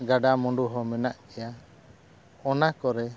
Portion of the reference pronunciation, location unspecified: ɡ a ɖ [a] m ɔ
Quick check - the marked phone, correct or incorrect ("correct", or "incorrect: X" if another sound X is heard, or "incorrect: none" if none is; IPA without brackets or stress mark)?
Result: correct